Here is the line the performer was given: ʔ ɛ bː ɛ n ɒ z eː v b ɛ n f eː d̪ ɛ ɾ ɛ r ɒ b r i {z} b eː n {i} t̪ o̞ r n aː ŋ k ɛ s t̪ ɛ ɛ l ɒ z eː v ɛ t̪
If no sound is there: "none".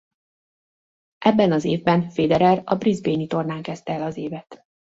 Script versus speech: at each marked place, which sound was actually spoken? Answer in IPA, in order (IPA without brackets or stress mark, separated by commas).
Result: z, i